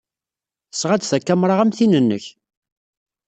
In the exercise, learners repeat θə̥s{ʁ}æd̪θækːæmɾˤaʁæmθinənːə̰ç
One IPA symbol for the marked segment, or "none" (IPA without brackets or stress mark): ʁ